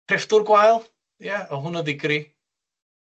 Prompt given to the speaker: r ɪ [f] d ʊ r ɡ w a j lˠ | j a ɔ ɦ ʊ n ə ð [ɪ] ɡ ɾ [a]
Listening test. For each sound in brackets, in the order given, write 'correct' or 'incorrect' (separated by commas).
correct, correct, incorrect